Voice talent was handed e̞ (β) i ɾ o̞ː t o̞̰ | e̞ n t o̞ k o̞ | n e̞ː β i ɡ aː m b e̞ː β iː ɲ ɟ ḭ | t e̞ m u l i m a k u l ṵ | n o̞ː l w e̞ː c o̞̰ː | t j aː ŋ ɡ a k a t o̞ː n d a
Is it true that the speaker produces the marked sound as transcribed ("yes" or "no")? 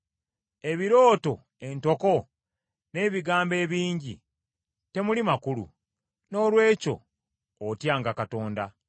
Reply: yes